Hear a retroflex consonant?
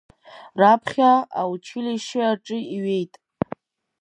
yes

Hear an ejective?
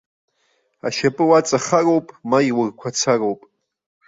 yes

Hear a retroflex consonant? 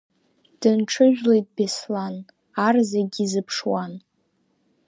yes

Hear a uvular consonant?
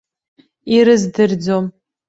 no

